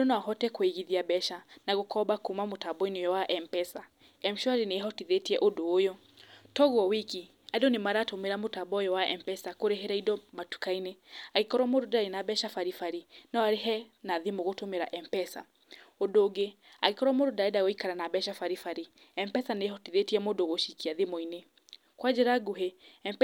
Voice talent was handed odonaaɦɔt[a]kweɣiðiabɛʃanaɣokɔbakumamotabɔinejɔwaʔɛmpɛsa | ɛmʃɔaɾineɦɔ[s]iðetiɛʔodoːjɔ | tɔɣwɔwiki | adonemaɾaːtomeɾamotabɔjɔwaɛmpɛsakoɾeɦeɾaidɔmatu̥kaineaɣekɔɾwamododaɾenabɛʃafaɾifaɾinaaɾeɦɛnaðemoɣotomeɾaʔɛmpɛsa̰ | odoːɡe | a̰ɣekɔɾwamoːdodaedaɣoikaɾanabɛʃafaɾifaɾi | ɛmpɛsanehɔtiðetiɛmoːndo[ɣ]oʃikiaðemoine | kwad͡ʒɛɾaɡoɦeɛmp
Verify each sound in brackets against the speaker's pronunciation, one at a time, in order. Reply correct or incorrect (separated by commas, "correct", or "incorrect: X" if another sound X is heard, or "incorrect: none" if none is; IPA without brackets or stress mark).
incorrect: ɛ, incorrect: t, correct